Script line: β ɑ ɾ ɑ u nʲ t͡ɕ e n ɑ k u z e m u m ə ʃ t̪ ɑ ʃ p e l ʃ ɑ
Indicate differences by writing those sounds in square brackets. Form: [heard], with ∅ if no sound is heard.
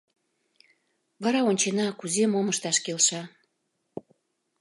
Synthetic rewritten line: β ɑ ɾ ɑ [o] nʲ t͡ɕ e n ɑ k u z e m [o] m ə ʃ t̪ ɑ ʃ [k] e l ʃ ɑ